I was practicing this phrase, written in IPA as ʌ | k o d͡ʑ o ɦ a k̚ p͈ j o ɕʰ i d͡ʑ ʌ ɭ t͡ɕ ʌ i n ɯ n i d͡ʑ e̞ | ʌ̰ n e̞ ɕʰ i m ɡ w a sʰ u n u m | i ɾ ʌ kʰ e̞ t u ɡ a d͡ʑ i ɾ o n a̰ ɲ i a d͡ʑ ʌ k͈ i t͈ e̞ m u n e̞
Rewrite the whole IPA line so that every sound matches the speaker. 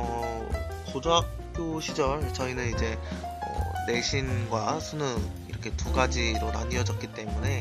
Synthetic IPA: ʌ | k o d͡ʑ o ɦ a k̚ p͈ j o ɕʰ i d͡ʑ ʌ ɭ t͡ɕ ʌ i n ɯ n i d͡ʑ e̞ | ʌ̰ n e̞ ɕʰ i n ɡ w a sʰ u n ɯ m | i ɾ ʌ kʰ e̞ t u ɡ a d͡ʑ i ɾ o n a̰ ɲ i ʌ d͡ʑ ʌ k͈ i t͈ e̞ m u n e̞